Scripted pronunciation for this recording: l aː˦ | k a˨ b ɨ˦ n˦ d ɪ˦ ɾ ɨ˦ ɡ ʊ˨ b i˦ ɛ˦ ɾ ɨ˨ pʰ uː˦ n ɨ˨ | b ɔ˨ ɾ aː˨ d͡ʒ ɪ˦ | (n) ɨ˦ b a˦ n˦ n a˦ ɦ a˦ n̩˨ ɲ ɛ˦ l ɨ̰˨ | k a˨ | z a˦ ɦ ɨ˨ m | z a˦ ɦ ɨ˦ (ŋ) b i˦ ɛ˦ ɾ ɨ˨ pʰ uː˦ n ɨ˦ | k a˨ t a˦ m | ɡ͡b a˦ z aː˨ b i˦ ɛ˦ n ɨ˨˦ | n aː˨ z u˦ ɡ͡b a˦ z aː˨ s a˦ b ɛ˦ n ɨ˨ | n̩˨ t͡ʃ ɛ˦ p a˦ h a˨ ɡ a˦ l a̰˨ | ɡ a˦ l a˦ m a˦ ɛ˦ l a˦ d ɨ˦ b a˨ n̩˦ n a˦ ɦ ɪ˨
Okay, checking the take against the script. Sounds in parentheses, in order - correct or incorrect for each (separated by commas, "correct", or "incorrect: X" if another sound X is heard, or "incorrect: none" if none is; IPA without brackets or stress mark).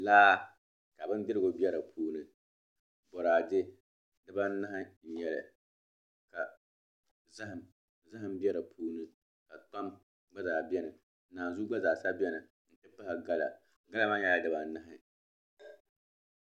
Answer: incorrect: d, incorrect: m